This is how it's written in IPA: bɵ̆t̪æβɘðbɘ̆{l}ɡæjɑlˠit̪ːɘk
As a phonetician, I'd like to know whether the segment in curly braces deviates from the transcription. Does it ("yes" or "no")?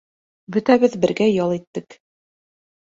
yes